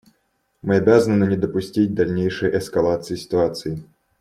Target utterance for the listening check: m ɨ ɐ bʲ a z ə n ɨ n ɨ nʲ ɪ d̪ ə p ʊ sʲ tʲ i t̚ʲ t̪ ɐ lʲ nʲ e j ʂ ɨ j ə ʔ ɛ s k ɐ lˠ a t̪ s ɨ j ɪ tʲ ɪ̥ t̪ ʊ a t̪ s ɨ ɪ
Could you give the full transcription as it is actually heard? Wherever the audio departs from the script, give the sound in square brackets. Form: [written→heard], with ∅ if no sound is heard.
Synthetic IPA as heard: m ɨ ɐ bʲ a z ə n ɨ n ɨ nʲ ɪ d̪ ə p ʊ sʲ tʲ i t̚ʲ [t̪→d̪] ɐ lʲ nʲ e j ʂ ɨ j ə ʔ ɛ s k ɐ lˠ a t̪ s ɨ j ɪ [tʲ→sʲ] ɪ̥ t̪ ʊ a t̪ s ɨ ɪ